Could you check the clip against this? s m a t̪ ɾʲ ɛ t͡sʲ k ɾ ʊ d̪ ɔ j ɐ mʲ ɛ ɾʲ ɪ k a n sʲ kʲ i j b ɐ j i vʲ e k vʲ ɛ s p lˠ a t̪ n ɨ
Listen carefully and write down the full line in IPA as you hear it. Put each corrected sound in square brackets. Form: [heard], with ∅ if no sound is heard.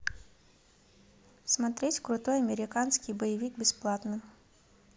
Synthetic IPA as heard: s m a t̪ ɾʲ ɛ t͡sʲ k ɾ ʊ [t̪] ɔ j ɐ mʲ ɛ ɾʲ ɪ k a n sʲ kʲ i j b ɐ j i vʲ [i] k [bʲ] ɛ s p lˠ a t̪ n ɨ